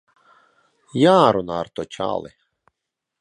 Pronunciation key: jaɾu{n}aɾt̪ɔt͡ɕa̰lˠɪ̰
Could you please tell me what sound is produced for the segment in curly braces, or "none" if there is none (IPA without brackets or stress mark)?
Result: n